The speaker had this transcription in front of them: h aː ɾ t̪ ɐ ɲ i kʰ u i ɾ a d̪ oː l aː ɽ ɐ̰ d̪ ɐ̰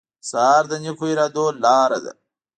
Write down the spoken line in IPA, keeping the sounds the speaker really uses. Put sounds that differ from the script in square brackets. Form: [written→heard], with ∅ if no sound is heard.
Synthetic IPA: [h→s] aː ɾ [t̪→d̪] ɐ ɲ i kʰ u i ɾ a d̪ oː l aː [ɽ→ɾ] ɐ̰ d̪ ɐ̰